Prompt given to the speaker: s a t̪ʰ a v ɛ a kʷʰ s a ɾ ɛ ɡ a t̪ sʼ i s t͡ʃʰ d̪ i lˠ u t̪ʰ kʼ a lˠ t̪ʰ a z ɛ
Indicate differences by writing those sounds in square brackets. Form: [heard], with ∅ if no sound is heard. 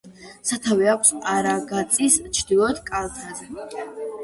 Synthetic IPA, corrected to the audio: s a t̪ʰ a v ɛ a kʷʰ s a ɾ [a] ɡ a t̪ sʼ i s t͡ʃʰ d̪ i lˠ [ɔ] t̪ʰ kʼ a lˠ t̪ʰ a z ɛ